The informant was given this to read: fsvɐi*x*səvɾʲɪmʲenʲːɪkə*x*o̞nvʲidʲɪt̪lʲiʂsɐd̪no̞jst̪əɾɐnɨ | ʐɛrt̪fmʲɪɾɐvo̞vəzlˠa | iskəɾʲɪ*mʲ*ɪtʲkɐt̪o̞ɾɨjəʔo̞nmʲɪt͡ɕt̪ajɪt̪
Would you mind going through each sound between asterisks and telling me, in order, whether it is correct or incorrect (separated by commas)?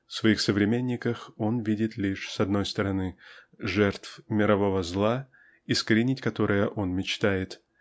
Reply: correct, correct, incorrect